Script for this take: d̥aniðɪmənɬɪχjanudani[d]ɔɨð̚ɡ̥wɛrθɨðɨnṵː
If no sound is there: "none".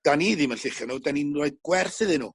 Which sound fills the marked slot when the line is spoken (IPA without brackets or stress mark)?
n